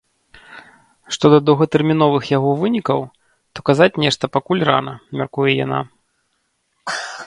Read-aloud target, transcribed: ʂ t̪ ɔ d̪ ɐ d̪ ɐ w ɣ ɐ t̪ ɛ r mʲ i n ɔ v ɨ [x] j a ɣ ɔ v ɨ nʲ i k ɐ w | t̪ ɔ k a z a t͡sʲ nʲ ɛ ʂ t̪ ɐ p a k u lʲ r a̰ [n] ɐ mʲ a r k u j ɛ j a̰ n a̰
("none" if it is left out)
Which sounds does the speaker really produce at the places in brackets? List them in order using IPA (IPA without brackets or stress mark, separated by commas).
x, n